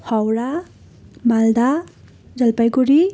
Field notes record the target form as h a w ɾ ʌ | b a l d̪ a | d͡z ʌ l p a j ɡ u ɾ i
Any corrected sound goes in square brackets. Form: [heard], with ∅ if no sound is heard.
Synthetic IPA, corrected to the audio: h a w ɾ [a] | [m] a l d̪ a | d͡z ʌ l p a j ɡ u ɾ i